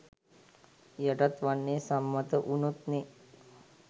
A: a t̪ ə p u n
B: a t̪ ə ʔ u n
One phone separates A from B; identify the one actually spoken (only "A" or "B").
B